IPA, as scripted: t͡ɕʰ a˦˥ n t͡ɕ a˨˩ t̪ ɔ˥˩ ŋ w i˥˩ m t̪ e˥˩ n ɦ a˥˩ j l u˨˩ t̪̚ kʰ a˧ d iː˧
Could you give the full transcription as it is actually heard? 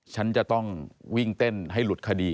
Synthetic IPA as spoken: t͡ɕʰ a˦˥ n t͡ɕ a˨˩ t̪ ɔ˥˩ ŋ w i˥˩ ŋ t̪ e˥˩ n ɦ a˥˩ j l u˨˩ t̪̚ kʰ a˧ d iː˧